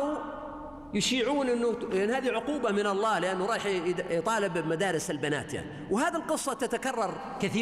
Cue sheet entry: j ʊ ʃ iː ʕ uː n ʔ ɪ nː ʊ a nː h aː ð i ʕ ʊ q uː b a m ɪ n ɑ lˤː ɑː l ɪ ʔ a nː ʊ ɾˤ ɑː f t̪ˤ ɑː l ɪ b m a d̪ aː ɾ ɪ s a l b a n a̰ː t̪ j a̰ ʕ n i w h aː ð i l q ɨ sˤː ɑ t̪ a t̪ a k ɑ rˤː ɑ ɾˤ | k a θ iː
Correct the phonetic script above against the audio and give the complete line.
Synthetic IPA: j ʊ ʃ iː ʕ uː n ʔ ɪ nː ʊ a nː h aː ð i ʕ ʊ q uː b a m ɪ n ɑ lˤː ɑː l ɪ ʔ a nː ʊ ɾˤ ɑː ħ t̪ˤ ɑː l ɪ b m a d̪ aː ɾ ɪ s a l b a n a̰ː t̪ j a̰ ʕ n i w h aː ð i l q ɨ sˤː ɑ t̪ a t̪ a k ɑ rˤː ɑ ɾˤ | k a θ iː